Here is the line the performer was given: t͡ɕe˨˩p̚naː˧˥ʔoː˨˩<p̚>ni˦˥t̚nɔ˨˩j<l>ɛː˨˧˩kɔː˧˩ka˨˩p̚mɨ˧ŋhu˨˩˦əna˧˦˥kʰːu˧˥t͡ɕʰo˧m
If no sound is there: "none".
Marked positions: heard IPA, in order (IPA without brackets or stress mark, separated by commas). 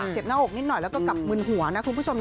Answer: k̚, l